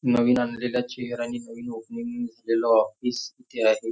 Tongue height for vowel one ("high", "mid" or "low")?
mid